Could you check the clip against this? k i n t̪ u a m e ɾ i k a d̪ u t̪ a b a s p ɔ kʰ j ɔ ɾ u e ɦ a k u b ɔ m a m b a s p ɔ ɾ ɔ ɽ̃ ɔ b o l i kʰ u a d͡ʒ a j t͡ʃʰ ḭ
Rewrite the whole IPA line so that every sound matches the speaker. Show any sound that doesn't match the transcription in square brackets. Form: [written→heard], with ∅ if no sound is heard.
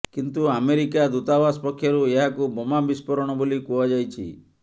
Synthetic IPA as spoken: k i n t̪ u a m e ɾ i k a d̪ u t̪ a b a s p ɔ kʰ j ɔ ɾ u e ɦ a k u b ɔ m a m b [a→i] s p ɔ ɾ ɔ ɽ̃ ɔ b o l i [kʰ→k] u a d͡ʒ a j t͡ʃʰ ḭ

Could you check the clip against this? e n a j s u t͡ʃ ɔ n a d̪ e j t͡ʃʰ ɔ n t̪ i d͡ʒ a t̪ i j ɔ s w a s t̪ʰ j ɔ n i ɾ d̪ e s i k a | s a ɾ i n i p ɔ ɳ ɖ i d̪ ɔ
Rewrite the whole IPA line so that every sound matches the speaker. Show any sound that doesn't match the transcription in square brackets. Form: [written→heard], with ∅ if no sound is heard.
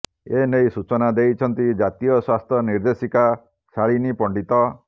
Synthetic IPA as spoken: e n [a→e] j s u t͡ʃ ɔ n a d̪ e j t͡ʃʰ ɔ n t̪ i d͡ʒ a t̪ i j ɔ s w a s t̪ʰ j ɔ n i ɾ d̪ e s i k a | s a [ɾ→ɭ] i n i p ɔ ɳ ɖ i [d̪→t̪] ɔ

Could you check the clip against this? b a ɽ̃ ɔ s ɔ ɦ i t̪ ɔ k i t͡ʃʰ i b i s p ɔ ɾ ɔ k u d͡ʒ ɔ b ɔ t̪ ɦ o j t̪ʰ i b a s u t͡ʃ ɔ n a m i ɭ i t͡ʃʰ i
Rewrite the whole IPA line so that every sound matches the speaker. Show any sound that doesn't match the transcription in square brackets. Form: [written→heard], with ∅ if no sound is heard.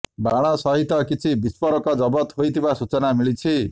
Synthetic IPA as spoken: b a ɽ̃ ɔ s ɔ ɦ i t̪ ɔ k i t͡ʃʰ i b i s p ɔ ɾ ɔ k [u→ɔ] d͡ʒ ɔ b ɔ t̪ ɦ o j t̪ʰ i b a s u t͡ʃ ɔ n a m i ɭ i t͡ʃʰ i

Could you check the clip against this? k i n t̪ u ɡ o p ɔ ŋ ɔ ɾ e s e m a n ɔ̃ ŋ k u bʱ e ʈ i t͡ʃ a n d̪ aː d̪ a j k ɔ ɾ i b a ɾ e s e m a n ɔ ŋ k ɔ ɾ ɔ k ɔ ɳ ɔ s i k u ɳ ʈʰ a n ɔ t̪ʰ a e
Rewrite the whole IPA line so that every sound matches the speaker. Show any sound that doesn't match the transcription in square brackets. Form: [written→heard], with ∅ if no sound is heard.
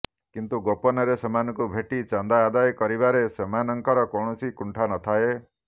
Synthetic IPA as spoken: k i n t̪ u ɡ o p ɔ [ŋ→n] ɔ ɾ e s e m a n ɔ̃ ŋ k u bʱ e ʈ i t͡ʃ a n d̪ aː d̪ a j k ɔ ɾ i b a ɾ e s e m a n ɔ ŋ k ɔ ɾ ɔ k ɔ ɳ ɔ s i k u ɳ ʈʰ a n ɔ t̪ʰ a e

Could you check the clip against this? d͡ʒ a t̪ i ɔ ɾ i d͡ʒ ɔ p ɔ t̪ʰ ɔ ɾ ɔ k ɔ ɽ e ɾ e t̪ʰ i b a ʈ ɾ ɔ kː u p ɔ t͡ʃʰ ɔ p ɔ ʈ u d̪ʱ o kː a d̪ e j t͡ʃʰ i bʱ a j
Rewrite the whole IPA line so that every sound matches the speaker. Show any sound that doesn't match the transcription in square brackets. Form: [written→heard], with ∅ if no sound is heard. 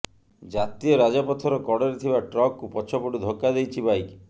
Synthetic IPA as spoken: d͡ʒ a t̪ i ɔ ɾ [i→a] d͡ʒ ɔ p ɔ t̪ʰ ɔ ɾ ɔ k ɔ ɽ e ɾ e t̪ʰ i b a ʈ ɾ ɔ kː u p ɔ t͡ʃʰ ɔ p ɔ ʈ u d̪ʱ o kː a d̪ e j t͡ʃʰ i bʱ a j

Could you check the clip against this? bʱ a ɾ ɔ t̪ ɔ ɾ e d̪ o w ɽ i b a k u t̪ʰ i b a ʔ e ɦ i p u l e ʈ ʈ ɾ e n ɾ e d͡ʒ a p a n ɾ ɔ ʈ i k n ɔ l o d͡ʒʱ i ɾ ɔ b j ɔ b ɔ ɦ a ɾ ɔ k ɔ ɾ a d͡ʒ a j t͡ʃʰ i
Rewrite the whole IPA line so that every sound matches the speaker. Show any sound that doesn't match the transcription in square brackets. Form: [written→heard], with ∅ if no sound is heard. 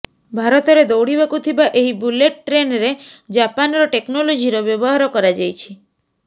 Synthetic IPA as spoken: bʱ a ɾ ɔ t̪ ɔ ɾ e d̪ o w ɽ i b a k u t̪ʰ i b a ʔ e ɦ i [p→b] u l e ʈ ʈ ɾ e n ɾ e d͡ʒ a p a n ɾ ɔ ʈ [i→e] k n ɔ l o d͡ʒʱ i ɾ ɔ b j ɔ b ɔ ɦ a ɾ ɔ k ɔ ɾ a d͡ʒ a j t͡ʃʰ i

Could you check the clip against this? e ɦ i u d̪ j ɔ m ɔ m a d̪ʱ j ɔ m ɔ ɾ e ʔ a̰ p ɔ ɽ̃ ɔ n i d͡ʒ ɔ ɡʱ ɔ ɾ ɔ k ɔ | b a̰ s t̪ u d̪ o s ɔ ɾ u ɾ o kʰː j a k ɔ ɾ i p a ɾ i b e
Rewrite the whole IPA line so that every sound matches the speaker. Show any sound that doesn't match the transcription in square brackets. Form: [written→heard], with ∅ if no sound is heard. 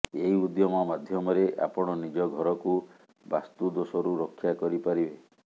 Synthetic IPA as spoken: e ɦ i u d̪ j ɔ m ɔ m a d̪ʱ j ɔ m ɔ ɾ e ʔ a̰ p ɔ ɽ̃ ɔ n i d͡ʒ ɔ ɡʱ ɔ ɾ ɔ k [ɔ→u] | b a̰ s t̪ u d̪ o s ɔ ɾ u ɾ o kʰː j a k ɔ ɾ i p a ɾ i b e

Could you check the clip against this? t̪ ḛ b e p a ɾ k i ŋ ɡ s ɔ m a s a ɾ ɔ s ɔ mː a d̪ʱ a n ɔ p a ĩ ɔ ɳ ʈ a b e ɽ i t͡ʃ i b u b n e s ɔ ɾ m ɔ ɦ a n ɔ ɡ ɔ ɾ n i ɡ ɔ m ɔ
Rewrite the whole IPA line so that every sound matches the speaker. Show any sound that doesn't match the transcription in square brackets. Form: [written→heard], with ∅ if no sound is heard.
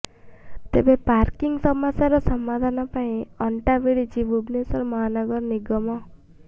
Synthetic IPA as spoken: t̪ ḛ b e p a ɾ k i ŋ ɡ s ɔ m a s a ɾ ɔ s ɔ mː a d̪ʱ a n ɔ p a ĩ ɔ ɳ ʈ a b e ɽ i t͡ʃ i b u b n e s ɔ ɾ m ɔ ɦ a n ɔ ɡ ɔ ɾ n i ɡ ɔ m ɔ

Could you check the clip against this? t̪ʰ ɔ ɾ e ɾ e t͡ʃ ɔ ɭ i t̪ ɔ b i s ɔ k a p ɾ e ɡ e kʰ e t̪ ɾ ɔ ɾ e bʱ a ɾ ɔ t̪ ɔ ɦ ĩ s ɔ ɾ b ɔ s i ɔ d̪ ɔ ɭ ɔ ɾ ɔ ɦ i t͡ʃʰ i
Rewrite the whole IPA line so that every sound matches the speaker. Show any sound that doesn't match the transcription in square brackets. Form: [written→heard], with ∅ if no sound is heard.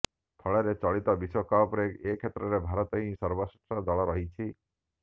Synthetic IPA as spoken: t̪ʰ ɔ [ɾ→ɭ] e ɾ e t͡ʃ ɔ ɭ i t̪ ɔ b i s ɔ k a p ɾ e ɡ e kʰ e t̪ ɾ ɔ ɾ e bʱ a ɾ ɔ t̪ ɔ ɦ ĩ s ɔ ɾ b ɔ s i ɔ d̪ ɔ ɭ ɔ ɾ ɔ ɦ i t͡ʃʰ i

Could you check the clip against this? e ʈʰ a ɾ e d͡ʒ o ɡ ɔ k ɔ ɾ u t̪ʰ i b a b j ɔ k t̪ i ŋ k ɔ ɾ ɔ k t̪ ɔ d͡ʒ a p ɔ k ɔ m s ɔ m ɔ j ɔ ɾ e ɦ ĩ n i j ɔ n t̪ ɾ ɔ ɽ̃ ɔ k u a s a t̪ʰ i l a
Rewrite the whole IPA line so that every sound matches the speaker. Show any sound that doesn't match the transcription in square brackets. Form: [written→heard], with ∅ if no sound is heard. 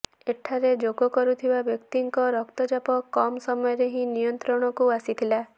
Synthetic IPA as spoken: e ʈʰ a ɾ e d͡ʒ o ɡ ɔ k ɔ ɾ u t̪ʰ i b a b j ɔ k t̪ i ŋ k ɔ ɾ ɔ k t̪ ɔ d͡ʒ a p ɔ k ɔ m s ɔ m ɔ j ɔ ɾ e ɦ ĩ n i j ɔ n t̪ ɾ ɔ ɽ̃ ɔ k u a s [a→i] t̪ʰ i l a

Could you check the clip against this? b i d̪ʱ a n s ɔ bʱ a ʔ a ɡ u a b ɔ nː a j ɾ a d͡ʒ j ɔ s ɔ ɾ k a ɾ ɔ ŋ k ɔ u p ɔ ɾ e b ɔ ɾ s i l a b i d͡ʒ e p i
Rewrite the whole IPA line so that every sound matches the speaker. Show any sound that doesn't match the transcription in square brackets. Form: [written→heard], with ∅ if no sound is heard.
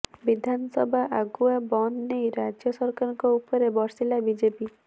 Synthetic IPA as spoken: b i d̪ʱ a n s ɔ bʱ a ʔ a ɡ u a b ɔ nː [a→e] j ɾ a d͡ʒ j ɔ s ɔ ɾ k a ɾ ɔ ŋ k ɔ u p ɔ ɾ e b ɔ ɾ s i l a b i d͡ʒ e p i

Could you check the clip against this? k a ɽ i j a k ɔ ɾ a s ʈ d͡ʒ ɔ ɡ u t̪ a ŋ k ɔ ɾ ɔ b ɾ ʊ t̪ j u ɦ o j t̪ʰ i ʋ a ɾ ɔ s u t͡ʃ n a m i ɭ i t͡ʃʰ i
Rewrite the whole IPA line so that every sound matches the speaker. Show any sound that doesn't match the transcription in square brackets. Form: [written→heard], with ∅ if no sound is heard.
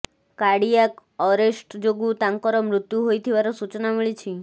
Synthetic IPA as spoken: k a ɽ i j a k ɔ ɾ [a→e] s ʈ d͡ʒ [ɔ→o] ɡ u t̪ a ŋ k ɔ ɾ ɔ [b→m] ɾ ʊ t̪ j u ɦ o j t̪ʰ i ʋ a ɾ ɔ s u t͡ʃ n a m i ɭ i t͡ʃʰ i

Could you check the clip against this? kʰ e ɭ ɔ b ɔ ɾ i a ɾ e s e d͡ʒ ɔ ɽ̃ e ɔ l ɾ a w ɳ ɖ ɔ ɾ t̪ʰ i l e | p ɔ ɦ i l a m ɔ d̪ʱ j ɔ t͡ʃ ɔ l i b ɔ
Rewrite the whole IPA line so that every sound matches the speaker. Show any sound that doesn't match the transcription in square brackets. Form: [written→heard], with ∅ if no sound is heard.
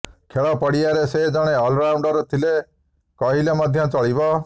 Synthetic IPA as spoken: kʰ e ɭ ɔ [b→p] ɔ [ɾ→ɽ] i a ɾ e s e d͡ʒ ɔ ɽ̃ e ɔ l ɾ a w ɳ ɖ ɔ ɾ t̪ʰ i l e | [p→k] ɔ ɦ i l [a→e] m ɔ d̪ʱ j ɔ t͡ʃ ɔ [l→ɭ] i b ɔ

